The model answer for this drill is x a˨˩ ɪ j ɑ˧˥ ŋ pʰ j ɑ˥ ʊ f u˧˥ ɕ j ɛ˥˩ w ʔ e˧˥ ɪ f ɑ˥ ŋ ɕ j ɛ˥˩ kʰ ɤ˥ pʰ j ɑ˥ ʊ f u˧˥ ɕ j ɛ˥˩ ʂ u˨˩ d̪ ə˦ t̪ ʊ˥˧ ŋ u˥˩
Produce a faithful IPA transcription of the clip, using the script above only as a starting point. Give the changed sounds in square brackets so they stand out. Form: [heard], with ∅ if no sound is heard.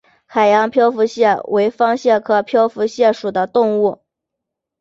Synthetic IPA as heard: x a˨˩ ɪ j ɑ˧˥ ŋ pʰ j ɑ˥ ʊ f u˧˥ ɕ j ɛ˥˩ w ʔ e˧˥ ɪ f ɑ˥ ŋ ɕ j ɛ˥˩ kʰ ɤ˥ pʰ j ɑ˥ ʊ f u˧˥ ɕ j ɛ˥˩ ʂ u˨˩ d̪ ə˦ t̪ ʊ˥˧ ŋ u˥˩

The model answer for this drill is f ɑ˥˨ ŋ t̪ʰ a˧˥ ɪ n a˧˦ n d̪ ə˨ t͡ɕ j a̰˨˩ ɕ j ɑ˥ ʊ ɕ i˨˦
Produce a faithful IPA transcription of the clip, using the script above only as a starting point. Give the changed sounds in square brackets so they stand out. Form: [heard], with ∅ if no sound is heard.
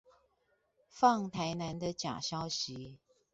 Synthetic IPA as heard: f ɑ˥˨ ŋ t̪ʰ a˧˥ ɪ n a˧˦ n d̪ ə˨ t͡ɕ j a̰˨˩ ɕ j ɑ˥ ʊ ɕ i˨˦

